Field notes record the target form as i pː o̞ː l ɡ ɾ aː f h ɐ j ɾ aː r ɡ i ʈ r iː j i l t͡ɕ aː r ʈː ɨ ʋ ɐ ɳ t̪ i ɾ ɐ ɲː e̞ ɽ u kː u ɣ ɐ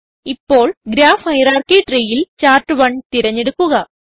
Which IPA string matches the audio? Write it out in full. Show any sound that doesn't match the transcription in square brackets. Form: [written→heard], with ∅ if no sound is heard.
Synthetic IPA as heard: i pː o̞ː [l→ɭ] ɡ ɾ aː f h ɐ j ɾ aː r [ɡ→k] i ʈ r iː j i l t͡ɕ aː r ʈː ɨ ʋ ɐ ɳ t̪ i ɾ ɐ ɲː e̞ ɽ u kː u ɣ ɐ